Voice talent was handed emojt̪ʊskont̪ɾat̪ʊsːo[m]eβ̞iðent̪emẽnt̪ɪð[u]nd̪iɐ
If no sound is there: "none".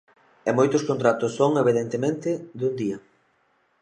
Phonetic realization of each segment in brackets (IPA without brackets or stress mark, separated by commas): ŋ, u